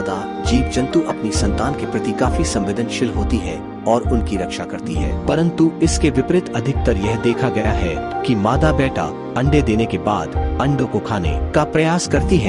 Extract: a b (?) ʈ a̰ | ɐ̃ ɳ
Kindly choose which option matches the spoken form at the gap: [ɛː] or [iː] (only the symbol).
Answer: ɛː